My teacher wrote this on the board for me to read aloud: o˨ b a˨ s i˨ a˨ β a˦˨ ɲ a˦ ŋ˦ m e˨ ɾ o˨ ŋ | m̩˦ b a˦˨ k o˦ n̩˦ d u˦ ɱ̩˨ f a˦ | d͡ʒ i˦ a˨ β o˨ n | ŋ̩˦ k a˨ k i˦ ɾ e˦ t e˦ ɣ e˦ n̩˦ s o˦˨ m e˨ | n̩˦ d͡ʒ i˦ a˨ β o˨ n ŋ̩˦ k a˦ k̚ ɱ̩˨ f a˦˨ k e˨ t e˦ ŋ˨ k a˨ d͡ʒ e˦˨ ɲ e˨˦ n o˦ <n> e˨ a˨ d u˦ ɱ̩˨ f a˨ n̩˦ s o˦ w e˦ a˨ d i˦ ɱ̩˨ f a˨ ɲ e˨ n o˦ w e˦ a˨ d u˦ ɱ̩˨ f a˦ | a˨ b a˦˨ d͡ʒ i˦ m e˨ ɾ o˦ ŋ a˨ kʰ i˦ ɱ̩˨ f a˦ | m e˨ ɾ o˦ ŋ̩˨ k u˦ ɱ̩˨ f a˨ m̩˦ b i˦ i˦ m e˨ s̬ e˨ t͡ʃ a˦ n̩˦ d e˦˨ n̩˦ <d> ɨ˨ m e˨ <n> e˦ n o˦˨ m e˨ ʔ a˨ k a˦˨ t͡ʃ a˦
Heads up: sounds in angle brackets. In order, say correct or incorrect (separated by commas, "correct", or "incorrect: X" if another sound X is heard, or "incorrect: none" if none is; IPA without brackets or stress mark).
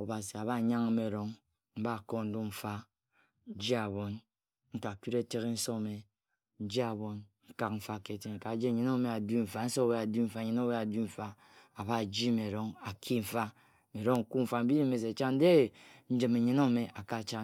incorrect: m, incorrect: d͡ʒ, incorrect: ɲ